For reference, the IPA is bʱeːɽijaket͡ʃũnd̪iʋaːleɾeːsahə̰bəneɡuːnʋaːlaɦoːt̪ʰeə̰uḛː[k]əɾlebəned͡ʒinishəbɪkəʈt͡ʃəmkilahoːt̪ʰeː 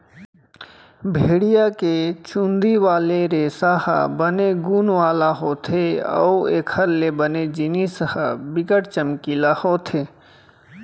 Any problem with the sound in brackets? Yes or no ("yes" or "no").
yes